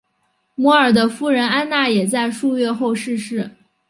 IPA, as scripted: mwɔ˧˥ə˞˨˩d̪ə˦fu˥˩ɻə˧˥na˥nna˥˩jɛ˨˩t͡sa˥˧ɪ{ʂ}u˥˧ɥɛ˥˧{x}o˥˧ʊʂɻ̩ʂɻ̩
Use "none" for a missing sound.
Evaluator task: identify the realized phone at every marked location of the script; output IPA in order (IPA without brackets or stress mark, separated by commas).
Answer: ʂ, x